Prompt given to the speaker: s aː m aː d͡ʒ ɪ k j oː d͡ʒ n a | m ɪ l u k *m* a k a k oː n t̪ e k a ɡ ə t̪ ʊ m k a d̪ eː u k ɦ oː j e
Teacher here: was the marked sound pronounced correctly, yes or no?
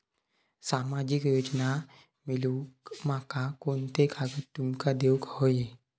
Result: yes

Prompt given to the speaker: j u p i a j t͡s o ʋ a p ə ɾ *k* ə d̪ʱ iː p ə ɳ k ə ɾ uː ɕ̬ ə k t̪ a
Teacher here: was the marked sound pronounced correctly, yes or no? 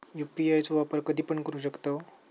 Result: yes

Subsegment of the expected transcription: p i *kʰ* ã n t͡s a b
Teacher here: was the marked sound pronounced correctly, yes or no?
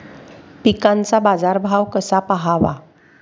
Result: no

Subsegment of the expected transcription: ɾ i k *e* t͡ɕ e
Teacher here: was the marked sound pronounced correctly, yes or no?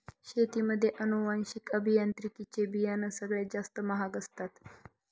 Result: no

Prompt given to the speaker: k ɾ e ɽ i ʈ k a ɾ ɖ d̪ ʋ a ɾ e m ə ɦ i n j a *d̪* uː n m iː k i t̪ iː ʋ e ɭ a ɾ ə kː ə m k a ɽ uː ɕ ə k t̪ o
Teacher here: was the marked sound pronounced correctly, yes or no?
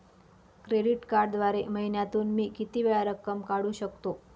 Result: no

